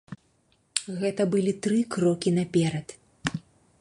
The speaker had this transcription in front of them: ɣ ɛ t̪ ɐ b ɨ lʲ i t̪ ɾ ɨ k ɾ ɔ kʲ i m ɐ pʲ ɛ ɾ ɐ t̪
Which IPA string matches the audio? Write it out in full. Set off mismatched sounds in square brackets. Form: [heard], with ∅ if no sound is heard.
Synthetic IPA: ɣ ɛ t̪ ɐ b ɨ lʲ i t̪ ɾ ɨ k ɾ ɔ kʲ i [n] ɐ pʲ ɛ ɾ ɐ t̪